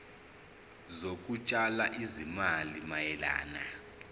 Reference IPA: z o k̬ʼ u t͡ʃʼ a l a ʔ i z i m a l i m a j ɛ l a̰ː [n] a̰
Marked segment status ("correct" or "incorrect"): correct